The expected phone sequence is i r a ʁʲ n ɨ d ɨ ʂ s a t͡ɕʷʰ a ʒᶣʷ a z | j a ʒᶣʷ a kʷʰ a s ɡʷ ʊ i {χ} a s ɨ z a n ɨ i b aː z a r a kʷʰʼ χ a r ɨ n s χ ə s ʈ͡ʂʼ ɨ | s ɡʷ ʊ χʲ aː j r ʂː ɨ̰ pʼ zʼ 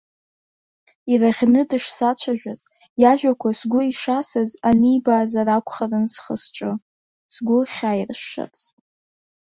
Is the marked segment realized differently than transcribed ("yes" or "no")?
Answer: yes